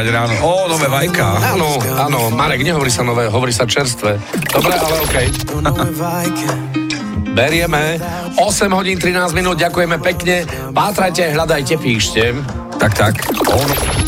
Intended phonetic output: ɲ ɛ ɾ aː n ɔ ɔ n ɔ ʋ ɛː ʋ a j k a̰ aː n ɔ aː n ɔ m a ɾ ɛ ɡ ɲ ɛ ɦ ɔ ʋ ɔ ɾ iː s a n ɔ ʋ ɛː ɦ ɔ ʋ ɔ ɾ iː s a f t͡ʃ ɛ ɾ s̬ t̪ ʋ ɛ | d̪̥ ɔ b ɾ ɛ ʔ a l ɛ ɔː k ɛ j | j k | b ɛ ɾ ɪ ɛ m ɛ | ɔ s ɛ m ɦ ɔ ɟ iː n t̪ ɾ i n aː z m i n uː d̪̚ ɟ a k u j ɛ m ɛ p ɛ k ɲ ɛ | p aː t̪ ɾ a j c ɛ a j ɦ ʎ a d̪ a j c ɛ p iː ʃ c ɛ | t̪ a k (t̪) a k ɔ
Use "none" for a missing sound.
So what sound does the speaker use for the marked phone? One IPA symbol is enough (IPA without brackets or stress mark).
t̪